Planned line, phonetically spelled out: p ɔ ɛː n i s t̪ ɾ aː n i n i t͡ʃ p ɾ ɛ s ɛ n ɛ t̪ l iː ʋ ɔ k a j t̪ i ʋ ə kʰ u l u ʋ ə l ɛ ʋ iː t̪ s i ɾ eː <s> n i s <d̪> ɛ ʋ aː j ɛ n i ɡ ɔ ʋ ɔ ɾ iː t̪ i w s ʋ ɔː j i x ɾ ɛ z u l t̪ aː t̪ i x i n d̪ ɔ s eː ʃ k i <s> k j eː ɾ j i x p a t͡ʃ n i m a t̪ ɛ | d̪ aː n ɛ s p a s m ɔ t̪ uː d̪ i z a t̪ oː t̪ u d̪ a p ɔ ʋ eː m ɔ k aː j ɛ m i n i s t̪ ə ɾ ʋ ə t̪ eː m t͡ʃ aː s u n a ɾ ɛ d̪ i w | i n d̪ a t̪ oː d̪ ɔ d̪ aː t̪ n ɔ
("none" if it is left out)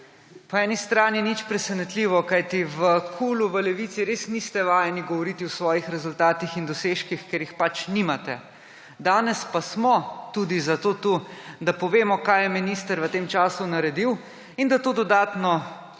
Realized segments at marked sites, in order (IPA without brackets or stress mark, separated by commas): s, t̪, x